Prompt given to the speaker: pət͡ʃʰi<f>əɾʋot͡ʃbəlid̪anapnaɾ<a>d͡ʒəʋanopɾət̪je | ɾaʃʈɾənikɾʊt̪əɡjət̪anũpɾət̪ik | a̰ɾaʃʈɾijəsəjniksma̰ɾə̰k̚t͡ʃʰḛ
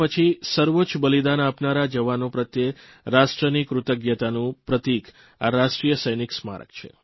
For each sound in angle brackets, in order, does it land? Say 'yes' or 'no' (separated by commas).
no, yes